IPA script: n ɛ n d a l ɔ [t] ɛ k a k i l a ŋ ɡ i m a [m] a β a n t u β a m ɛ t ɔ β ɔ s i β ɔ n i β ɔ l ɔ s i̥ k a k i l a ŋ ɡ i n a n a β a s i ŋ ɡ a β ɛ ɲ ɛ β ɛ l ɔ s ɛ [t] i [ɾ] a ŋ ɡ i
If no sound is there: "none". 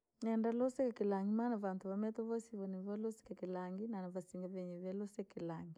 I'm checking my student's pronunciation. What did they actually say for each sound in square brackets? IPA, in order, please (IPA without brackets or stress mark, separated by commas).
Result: s, n, k, l